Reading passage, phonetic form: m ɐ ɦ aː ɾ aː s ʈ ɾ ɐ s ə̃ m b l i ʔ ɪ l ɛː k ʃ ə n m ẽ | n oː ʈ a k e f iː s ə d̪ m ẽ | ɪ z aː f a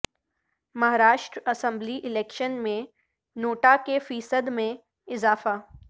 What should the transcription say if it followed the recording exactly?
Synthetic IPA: m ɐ ɦ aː ɾ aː ʃ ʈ ɾ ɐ s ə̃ m b l i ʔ ɪ l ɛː k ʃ ə n m ẽ | n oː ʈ a k e f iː s ə d̪ m ẽ | ɪ z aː f a